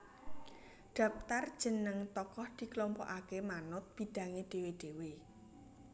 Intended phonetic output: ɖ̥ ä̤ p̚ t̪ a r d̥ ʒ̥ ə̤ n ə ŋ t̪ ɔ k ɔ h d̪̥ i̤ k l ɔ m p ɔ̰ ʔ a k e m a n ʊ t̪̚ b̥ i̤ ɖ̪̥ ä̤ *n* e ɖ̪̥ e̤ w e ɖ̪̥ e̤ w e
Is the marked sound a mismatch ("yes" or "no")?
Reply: yes